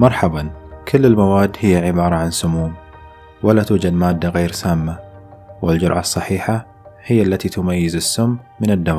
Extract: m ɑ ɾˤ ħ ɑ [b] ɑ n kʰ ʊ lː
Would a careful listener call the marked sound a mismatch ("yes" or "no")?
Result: no